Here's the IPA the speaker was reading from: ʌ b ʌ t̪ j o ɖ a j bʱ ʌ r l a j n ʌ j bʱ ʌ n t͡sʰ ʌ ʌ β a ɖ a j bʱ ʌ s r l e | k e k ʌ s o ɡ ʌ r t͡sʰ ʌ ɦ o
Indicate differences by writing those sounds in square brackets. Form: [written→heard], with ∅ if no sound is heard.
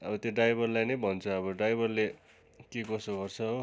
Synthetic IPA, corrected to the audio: ʌ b ʌ t̪ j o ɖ a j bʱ ʌ r l a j n ʌ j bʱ ʌ n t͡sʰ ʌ ʌ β [a→ʌ] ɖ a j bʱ ʌ [s→∅] r l e | k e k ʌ s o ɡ ʌ r t͡sʰ ʌ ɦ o